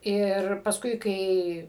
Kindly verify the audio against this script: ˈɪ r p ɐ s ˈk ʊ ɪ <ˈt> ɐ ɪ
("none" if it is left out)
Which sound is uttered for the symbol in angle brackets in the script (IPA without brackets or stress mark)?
k